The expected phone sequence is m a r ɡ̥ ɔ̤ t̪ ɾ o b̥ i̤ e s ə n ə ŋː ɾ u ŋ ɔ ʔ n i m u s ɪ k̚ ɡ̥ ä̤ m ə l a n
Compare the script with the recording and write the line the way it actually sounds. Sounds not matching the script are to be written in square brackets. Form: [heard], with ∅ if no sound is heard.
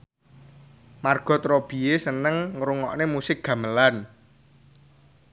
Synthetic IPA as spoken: m a r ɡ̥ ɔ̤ t̪ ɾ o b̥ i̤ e s ə n ə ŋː ɾ u ŋ ɔ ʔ n [e] m u s ɪ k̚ ɡ̥ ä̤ m ə l a n